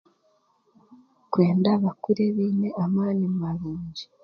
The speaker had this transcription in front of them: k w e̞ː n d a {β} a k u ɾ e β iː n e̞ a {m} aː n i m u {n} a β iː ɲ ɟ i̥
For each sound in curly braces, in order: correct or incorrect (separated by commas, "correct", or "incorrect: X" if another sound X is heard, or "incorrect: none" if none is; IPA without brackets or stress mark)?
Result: correct, correct, incorrect: m